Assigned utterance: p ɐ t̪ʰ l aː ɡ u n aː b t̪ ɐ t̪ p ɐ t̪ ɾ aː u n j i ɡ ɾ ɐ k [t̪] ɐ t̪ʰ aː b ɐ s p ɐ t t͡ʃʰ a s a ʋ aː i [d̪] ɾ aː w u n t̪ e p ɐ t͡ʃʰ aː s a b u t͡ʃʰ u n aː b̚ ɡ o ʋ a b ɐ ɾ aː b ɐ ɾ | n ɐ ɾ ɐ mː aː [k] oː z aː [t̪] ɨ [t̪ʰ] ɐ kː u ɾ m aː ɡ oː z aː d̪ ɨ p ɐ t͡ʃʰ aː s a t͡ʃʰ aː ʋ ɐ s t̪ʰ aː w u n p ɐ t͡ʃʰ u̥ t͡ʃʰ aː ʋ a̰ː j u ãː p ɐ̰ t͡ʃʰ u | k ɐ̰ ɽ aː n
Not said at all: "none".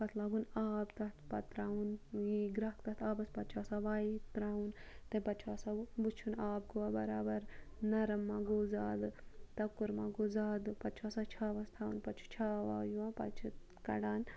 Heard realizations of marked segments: t̪, t̪, ɡ, d̪, t̪

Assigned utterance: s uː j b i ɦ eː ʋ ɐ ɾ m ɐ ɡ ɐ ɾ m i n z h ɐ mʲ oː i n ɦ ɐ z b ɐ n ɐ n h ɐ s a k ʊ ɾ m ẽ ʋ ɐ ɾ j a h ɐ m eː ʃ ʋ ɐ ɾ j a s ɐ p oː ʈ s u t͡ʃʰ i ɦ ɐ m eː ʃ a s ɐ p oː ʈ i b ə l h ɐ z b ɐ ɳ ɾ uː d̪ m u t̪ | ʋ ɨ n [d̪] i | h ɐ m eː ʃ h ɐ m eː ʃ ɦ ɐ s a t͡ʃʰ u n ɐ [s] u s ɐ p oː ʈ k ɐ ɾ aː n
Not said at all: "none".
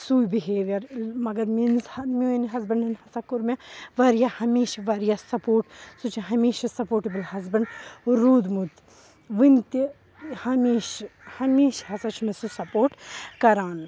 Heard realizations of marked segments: t̪, s

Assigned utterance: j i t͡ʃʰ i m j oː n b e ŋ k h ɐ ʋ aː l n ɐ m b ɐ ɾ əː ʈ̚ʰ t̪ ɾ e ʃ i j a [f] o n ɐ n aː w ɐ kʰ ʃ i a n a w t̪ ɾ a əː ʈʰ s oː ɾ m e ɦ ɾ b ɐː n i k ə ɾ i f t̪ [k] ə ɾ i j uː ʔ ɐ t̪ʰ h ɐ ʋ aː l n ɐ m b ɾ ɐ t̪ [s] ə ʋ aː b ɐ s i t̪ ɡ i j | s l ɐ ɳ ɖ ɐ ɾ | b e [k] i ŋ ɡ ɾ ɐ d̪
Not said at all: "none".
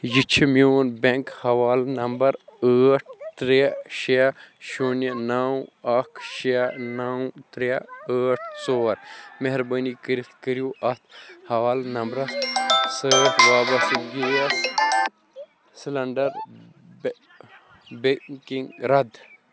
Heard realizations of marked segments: ʃ, k, s, k

